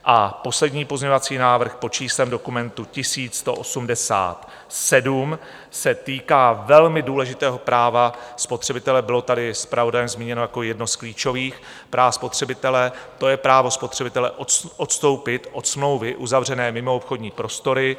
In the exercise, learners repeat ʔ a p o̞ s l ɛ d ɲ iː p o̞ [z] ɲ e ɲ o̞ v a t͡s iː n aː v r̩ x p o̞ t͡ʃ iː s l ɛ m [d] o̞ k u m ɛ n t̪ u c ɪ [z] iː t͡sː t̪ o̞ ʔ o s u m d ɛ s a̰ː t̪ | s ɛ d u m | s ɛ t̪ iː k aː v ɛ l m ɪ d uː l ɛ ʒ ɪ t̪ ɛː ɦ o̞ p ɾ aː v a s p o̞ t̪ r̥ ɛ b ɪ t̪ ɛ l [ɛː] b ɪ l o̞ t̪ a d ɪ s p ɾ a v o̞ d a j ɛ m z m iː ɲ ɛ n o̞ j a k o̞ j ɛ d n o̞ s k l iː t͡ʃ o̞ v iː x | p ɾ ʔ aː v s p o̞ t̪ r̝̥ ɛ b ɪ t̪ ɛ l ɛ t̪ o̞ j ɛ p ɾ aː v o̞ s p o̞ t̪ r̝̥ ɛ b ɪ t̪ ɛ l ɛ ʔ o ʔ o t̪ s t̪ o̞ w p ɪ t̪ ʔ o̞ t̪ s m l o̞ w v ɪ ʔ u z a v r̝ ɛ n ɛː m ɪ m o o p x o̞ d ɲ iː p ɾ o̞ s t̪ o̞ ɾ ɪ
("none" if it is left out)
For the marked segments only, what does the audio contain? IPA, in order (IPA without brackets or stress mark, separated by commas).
z, d, s, ɛ